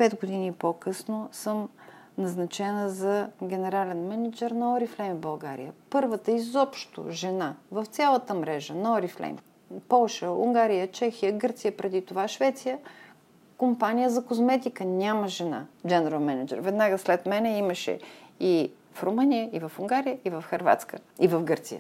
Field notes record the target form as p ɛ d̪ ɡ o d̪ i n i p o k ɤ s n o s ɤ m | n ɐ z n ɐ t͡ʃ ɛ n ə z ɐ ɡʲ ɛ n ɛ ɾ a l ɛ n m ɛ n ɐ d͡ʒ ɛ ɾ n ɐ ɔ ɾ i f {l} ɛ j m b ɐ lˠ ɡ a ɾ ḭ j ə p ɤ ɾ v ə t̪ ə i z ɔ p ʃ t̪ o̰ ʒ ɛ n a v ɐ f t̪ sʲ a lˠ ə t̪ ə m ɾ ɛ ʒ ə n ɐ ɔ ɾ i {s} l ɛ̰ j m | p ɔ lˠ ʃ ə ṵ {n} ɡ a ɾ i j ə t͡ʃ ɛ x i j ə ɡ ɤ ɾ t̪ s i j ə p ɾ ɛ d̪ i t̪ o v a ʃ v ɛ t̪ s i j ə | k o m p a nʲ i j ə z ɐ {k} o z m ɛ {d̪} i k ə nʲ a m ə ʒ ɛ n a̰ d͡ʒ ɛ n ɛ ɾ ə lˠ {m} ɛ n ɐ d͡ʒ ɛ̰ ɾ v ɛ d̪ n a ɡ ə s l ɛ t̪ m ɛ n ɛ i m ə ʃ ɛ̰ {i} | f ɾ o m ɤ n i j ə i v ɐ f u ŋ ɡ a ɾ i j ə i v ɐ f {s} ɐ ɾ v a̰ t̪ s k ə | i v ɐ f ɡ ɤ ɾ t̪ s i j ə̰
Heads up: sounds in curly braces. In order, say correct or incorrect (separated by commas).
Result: correct, incorrect, incorrect, correct, incorrect, correct, correct, incorrect